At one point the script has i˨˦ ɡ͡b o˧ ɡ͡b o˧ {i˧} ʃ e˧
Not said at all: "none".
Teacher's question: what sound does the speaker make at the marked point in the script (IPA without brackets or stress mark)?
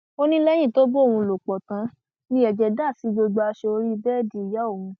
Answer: a˧